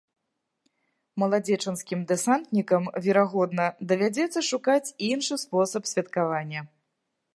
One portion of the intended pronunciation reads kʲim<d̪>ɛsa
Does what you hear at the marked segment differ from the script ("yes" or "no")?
no